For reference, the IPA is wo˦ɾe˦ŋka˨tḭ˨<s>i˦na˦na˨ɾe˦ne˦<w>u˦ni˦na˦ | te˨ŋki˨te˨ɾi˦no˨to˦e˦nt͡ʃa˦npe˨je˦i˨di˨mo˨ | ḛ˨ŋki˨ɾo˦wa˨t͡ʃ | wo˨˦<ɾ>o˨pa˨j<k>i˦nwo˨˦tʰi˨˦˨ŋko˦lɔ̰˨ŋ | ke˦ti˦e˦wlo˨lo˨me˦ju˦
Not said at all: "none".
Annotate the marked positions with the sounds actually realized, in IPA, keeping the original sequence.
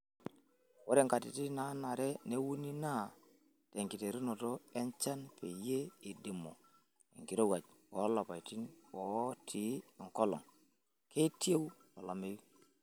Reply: t, w, l, t

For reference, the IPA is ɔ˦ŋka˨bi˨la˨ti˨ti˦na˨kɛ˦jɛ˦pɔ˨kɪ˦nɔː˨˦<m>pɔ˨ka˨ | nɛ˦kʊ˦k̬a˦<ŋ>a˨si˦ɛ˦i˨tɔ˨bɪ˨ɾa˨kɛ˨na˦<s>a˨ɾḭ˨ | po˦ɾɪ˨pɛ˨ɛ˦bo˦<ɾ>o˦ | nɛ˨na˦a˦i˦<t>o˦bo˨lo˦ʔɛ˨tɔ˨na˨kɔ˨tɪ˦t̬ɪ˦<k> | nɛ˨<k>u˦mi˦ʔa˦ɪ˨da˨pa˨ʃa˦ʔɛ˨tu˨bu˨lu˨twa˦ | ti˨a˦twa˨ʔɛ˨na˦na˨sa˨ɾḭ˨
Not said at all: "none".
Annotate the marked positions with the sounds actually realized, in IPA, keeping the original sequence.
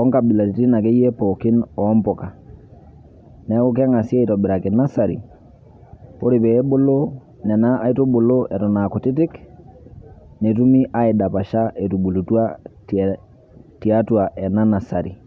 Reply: m, ŋ, s, l, t, k, t

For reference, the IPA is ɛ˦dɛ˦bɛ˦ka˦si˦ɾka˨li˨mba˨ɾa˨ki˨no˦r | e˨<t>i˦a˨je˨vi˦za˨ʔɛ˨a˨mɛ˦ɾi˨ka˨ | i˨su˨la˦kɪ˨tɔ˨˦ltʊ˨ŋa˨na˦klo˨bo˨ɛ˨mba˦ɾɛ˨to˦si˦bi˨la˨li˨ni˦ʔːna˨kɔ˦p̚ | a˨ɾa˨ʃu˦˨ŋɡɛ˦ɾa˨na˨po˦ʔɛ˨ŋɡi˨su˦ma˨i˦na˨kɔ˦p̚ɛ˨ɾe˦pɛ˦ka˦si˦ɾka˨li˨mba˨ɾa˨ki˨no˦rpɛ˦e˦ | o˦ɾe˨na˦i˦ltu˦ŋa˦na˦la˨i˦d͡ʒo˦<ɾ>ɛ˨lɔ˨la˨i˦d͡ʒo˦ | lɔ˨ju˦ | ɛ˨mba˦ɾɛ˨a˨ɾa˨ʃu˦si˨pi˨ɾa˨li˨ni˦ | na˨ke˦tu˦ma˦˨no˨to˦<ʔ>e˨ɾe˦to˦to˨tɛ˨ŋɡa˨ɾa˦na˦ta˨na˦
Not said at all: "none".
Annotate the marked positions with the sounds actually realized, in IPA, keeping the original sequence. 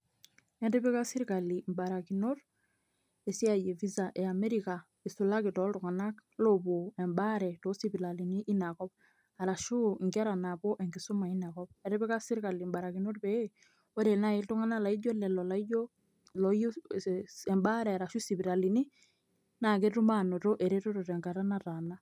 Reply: s, l, ʔ

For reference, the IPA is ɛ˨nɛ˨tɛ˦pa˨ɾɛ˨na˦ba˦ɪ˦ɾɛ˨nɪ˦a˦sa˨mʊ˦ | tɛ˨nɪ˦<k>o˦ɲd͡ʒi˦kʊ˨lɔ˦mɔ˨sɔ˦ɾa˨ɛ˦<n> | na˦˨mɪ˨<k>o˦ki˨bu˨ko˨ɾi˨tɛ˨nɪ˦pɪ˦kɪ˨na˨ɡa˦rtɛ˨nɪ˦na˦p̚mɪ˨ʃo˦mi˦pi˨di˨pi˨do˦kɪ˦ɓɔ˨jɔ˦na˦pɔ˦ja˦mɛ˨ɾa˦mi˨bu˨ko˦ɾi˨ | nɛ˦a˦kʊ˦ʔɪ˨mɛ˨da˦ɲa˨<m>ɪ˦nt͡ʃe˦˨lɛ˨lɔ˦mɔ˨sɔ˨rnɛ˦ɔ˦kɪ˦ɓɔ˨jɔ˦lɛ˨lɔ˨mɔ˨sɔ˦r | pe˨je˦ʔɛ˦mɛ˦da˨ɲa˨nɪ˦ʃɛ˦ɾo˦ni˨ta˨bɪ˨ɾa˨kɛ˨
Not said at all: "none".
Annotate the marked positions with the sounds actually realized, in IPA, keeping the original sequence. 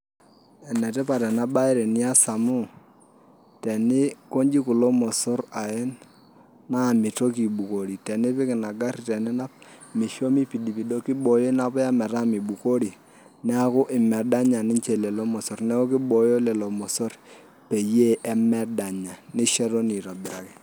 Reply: k, n, t, n

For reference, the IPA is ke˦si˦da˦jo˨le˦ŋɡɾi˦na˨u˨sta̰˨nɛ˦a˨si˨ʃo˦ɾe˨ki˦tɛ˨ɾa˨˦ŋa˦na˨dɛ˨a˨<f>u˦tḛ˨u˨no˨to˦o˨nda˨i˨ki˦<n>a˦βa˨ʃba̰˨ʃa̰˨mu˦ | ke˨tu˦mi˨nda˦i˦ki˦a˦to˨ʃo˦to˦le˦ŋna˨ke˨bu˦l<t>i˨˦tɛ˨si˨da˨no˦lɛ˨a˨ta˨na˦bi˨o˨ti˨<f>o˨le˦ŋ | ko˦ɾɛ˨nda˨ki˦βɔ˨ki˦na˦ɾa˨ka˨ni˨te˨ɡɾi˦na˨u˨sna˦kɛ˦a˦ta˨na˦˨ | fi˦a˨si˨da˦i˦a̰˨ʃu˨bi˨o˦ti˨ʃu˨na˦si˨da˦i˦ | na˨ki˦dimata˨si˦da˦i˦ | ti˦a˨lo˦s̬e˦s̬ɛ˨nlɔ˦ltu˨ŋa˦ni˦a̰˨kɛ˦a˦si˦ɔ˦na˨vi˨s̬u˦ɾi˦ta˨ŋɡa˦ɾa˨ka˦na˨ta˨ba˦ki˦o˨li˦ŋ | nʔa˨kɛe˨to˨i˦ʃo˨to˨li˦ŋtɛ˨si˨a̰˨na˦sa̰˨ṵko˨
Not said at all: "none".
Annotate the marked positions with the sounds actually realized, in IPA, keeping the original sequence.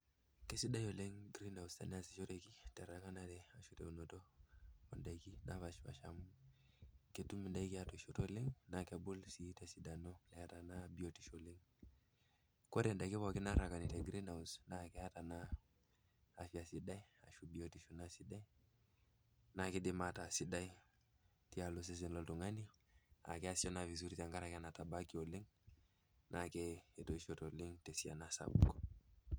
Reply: ʃ, n, s, ʃ

